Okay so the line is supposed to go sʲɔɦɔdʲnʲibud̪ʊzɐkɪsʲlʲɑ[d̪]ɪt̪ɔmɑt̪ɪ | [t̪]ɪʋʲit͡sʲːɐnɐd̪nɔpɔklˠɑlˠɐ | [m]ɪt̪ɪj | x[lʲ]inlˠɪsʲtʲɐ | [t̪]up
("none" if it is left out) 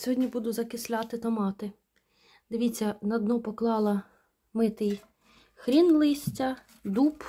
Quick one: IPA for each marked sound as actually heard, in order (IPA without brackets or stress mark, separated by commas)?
t̪, d̪, m, ɾʲ, d̪